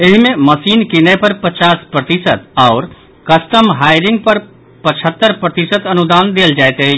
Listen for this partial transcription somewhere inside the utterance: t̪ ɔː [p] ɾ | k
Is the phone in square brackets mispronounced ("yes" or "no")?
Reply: yes